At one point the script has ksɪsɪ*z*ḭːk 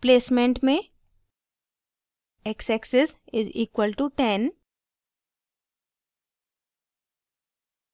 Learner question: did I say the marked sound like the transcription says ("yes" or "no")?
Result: yes